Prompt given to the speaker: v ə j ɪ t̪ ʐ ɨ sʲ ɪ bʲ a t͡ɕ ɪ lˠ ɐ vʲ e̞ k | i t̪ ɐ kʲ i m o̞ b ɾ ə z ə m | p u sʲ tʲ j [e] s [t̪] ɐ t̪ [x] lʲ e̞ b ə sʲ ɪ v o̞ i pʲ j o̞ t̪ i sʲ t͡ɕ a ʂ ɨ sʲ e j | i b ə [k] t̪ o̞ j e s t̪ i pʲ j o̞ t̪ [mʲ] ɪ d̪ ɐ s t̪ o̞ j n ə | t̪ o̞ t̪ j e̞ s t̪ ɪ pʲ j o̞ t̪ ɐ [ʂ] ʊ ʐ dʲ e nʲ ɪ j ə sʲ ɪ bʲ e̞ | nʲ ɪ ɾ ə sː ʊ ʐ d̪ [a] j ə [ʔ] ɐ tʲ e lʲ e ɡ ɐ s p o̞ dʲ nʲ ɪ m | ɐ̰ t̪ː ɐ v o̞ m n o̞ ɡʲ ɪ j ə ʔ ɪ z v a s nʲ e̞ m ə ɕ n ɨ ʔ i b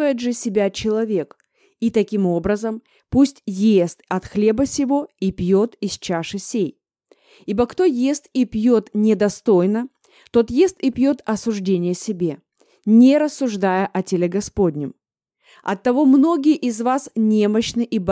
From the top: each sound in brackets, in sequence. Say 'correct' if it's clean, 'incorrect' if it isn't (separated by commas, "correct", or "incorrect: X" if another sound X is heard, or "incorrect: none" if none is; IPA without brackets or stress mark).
correct, correct, correct, correct, incorrect: nʲ, incorrect: s, correct, correct